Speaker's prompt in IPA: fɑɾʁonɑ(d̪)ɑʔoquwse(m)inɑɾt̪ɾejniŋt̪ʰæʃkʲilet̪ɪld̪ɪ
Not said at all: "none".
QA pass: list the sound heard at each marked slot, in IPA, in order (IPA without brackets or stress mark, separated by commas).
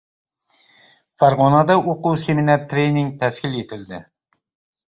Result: d̪, m